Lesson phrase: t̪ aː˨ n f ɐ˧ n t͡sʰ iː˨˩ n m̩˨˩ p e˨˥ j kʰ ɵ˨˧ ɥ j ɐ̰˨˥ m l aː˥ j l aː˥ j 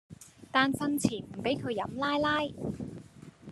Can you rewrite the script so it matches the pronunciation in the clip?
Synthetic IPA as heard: t̪ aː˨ n f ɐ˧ n t͡sʰ iː˨˩ n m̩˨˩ p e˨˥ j kʰ ɵ˨˧ ɥ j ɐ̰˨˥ m l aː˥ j l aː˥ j